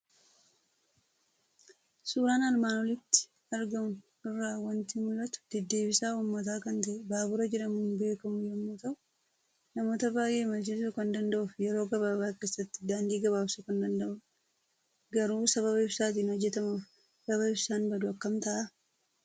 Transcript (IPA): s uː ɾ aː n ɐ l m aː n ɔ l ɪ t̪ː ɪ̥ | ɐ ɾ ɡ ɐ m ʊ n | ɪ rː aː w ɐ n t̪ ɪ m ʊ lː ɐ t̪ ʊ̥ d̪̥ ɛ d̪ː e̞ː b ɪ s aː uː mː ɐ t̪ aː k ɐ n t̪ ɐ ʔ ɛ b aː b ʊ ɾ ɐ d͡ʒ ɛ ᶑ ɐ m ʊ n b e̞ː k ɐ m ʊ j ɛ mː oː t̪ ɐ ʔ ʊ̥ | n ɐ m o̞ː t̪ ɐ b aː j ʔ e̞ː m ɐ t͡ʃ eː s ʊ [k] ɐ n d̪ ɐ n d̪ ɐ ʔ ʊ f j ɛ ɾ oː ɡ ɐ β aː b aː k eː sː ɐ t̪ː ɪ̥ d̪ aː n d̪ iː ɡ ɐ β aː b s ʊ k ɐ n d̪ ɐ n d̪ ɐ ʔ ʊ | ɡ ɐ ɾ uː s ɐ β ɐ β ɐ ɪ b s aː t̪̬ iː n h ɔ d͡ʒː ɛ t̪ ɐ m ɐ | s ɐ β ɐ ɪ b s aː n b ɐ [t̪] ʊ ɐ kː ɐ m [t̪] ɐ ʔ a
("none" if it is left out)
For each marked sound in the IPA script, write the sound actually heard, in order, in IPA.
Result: k, d̪, t̪

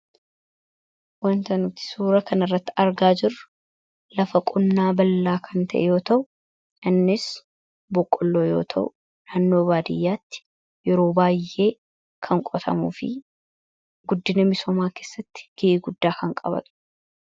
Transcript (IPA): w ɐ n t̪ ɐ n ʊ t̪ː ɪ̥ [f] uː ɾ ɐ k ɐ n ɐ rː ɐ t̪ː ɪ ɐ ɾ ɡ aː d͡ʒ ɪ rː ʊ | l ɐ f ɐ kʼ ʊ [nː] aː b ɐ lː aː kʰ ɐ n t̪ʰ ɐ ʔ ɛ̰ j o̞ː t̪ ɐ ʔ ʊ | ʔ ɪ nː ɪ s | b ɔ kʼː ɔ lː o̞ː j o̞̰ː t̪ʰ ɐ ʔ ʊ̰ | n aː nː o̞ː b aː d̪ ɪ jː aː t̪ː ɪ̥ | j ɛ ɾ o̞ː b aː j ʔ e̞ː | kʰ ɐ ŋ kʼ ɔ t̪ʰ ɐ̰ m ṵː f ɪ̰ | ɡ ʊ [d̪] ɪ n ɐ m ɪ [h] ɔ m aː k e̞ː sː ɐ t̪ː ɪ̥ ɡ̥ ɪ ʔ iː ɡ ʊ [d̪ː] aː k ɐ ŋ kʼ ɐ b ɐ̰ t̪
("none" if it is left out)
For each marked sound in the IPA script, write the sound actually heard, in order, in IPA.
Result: s, nː, d̪ː, s, d̪ː

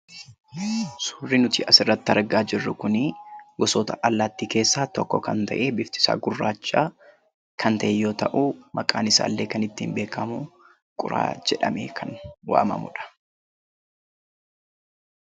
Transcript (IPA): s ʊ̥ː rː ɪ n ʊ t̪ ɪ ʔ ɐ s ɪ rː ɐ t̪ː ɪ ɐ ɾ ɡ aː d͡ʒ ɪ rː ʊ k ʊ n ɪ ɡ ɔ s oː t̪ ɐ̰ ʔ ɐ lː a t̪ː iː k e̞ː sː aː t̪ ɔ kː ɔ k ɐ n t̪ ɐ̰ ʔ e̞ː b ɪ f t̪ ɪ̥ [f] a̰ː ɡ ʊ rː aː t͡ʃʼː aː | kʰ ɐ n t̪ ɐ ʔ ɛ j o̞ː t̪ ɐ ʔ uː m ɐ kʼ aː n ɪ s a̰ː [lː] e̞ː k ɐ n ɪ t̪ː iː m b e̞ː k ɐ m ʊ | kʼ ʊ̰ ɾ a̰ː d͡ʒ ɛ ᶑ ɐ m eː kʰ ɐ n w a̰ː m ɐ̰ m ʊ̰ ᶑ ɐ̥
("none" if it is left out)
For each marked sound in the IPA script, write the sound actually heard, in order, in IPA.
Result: s, lː

